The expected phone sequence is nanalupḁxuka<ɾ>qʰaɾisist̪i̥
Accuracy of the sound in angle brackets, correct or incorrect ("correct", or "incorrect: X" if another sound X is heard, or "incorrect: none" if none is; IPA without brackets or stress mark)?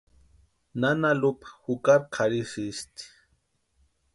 correct